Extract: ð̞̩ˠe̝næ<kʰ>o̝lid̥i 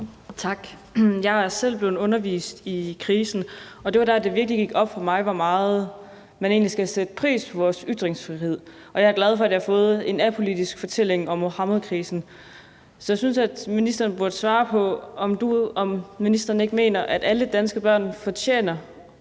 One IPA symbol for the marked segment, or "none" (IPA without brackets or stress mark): pʰ